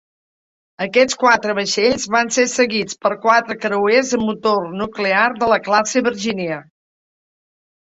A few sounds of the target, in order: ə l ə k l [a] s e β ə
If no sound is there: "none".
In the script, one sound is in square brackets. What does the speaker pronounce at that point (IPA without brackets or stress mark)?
a